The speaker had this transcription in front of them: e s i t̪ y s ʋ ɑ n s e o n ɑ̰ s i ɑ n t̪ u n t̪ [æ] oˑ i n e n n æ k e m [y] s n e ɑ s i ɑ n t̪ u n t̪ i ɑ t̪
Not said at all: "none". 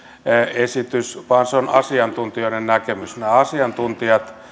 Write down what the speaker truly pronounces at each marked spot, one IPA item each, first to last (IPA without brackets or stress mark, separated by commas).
i, y